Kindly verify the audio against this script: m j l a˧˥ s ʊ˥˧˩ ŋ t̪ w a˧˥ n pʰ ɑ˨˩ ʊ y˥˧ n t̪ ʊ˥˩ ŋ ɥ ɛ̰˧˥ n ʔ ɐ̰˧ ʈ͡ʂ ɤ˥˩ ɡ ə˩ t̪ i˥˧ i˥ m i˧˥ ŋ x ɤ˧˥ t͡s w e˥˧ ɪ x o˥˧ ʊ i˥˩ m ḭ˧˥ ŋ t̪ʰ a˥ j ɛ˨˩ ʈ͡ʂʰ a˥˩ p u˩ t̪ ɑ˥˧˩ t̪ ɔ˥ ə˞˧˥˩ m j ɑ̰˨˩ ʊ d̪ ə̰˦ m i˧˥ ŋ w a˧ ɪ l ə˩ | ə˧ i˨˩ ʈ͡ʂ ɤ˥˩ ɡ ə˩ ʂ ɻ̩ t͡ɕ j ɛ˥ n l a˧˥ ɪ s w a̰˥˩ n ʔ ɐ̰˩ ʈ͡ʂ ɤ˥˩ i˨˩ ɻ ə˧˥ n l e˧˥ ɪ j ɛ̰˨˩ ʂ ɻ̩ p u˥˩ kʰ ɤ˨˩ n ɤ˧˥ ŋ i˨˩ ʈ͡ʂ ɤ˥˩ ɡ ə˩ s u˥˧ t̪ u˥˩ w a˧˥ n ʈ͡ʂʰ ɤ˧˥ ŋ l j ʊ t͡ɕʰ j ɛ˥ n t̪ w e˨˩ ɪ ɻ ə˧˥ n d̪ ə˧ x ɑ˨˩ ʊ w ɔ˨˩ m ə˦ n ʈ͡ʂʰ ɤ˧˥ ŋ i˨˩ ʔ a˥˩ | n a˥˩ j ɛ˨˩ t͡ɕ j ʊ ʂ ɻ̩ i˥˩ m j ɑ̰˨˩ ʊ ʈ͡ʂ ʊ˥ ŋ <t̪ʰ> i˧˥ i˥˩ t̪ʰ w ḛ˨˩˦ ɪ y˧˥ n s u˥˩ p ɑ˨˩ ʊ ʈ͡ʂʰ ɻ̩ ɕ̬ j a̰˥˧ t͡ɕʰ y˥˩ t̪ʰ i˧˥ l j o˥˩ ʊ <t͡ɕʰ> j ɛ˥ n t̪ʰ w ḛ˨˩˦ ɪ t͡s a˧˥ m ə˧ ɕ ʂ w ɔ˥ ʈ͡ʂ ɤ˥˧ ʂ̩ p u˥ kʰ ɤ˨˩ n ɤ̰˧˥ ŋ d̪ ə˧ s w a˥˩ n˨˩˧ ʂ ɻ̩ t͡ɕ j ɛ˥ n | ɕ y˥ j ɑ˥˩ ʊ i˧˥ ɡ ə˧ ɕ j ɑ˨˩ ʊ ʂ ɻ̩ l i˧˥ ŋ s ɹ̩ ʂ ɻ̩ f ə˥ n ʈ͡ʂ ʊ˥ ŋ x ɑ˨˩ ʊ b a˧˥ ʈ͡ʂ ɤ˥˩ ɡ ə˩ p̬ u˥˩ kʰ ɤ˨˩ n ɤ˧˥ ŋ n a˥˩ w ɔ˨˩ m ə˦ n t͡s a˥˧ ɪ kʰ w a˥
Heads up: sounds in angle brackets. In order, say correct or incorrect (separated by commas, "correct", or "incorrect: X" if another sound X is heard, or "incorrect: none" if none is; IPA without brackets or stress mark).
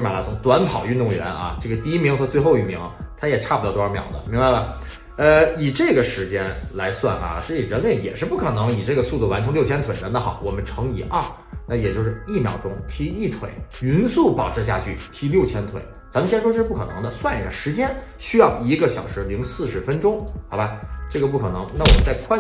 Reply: correct, correct